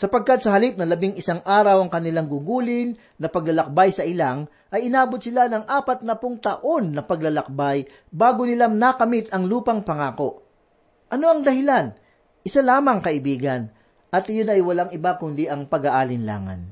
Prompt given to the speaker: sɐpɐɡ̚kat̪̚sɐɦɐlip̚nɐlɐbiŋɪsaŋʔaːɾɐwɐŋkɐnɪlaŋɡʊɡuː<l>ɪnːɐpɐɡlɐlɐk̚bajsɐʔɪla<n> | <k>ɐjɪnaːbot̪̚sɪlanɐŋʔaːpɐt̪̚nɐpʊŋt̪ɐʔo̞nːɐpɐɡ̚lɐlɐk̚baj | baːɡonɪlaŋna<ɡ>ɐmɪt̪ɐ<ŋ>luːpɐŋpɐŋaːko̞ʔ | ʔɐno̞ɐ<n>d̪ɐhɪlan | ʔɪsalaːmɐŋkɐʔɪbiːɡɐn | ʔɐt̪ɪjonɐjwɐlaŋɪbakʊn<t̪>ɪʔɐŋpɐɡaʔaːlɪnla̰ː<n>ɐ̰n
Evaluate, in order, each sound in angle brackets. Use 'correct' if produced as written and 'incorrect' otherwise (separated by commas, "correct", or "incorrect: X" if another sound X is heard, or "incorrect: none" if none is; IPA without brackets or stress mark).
correct, incorrect: ŋ, incorrect: ʔ, incorrect: k, correct, incorrect: ŋ, incorrect: d̪, incorrect: ŋ